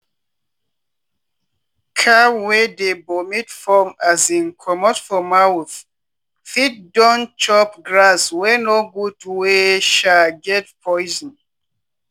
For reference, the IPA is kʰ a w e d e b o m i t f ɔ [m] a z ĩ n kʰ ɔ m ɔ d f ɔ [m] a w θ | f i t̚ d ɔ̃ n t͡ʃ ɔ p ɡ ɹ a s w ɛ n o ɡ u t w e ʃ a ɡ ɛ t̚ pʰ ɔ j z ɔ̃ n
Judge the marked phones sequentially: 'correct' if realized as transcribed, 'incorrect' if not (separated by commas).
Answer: correct, correct